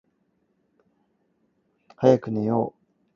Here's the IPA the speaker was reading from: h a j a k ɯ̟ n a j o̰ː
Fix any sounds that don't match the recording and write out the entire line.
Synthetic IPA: h a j a k ɯ̟ n e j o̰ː